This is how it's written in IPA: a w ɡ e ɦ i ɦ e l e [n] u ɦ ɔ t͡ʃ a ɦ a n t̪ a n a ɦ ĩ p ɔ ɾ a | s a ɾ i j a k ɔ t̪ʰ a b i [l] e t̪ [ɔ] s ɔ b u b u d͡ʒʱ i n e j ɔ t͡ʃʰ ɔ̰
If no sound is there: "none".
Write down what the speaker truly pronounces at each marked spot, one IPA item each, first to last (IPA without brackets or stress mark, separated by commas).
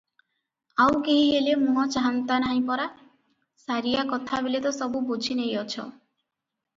m, l, ɔ